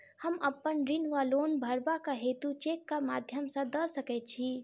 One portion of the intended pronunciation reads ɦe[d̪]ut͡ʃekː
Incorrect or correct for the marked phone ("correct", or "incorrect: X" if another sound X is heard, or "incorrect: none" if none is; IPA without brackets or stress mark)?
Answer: incorrect: t̪